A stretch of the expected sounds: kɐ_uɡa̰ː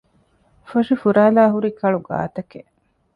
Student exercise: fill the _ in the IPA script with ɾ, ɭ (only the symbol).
ɭ